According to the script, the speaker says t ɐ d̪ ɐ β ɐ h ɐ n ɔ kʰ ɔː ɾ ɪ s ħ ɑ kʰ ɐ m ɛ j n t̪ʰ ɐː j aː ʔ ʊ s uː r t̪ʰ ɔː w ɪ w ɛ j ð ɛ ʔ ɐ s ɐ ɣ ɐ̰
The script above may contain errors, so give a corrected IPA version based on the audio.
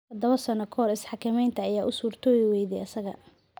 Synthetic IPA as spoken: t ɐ d̪ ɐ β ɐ s ɐ n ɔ kʰ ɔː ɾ ɪ s ħ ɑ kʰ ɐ m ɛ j n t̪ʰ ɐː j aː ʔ ʊ s uː r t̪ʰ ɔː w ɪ w ɛ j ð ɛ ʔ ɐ s ɐ ɣ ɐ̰